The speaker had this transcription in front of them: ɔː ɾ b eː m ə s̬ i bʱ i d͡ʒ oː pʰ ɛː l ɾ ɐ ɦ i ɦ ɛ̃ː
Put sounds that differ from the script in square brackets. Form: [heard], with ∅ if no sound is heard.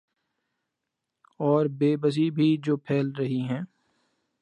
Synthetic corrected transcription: ɔː ɾ b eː [b] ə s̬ i bʱ i d͡ʒ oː pʰ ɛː l ɾ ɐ ɦ i ɦ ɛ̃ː